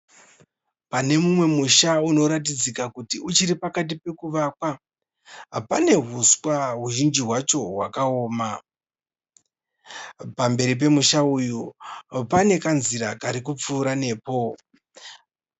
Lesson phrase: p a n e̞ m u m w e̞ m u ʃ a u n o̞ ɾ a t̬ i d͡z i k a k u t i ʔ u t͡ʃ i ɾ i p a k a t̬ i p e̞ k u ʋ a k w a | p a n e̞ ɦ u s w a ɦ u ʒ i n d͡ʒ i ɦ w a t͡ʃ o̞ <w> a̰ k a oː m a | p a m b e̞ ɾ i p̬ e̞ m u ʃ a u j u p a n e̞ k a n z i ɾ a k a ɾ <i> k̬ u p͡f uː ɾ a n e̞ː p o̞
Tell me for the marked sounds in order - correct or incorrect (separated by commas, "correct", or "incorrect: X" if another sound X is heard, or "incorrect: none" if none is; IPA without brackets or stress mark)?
correct, correct